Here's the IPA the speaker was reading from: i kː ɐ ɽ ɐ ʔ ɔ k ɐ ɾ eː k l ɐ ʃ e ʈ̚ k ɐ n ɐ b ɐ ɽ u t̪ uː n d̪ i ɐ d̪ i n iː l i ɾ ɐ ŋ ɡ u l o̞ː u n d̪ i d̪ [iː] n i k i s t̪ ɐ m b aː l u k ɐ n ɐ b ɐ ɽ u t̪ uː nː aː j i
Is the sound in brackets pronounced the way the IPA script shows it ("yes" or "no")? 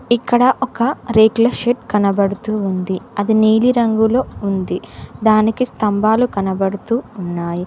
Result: no